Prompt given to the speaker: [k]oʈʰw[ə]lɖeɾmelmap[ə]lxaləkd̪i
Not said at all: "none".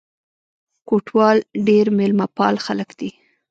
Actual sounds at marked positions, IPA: k, ɑ, ɑ

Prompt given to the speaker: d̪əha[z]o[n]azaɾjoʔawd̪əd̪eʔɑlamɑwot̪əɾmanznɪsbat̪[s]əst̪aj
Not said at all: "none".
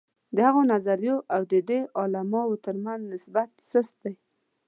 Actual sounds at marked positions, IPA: ɣ, n, s

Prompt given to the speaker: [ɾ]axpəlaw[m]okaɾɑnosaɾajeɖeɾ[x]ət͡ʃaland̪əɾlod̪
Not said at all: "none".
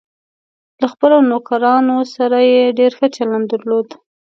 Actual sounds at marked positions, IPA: l, n, x

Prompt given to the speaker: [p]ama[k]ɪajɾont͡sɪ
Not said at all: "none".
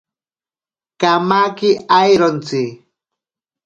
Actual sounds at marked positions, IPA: k, k

